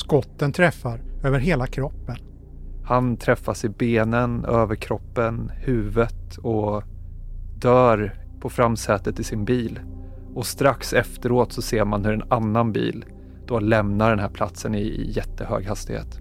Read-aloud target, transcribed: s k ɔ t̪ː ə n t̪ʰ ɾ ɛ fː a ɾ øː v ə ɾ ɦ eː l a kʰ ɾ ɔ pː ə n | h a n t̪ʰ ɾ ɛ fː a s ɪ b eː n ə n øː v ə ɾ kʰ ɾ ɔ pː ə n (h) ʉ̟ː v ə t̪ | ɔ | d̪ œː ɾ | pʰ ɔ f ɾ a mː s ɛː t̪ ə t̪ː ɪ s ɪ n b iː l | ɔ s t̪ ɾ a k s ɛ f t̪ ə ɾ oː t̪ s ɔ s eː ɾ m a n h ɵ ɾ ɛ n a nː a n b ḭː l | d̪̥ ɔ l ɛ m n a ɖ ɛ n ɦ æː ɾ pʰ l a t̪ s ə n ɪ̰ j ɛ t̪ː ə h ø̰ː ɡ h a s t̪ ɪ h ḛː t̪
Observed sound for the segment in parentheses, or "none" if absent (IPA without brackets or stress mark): h